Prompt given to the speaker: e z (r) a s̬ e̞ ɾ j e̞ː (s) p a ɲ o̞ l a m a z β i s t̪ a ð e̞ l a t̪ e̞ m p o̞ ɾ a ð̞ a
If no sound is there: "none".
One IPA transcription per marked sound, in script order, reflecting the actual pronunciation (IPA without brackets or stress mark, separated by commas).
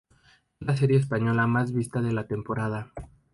l, s